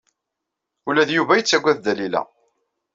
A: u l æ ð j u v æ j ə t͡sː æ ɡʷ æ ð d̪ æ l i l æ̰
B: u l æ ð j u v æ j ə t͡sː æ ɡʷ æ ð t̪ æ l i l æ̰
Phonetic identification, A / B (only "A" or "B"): A